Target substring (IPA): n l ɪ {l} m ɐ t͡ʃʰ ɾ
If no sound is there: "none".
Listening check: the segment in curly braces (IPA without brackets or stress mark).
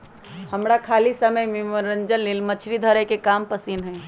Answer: l